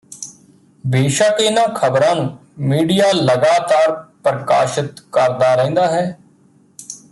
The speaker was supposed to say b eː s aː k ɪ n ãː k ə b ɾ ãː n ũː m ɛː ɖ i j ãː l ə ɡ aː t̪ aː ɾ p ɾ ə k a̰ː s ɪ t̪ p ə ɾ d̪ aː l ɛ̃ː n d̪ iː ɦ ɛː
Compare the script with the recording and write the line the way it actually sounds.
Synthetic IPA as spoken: b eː ʃ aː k ɪ n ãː kʰ ə b ɾ ãː n ũː m iː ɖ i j aː l ə ɡ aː t̪ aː ɾ p ɾ ə k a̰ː ʃ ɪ t̪ k ə ɾ d̪ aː ɾ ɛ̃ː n d̪ aː ɦ ɛː